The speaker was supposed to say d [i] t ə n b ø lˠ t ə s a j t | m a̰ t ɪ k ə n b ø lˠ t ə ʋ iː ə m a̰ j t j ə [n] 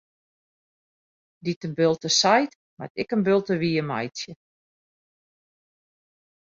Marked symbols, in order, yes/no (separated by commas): yes, no